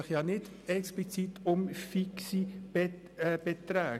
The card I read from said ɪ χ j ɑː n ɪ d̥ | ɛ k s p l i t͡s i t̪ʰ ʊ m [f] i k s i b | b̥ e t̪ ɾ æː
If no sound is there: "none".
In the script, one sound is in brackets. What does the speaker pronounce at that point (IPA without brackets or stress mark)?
f